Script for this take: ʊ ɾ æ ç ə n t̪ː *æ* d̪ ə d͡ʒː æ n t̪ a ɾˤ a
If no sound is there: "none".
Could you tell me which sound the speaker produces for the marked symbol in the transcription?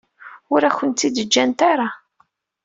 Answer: i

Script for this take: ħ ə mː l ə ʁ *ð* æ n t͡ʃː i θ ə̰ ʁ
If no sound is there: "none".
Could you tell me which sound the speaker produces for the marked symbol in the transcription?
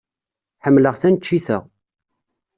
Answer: θ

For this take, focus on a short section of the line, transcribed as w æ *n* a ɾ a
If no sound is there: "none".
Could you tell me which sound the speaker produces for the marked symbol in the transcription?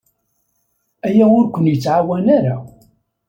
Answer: n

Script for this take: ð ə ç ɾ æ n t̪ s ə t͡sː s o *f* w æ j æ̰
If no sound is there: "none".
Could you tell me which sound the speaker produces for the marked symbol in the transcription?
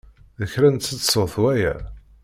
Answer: θ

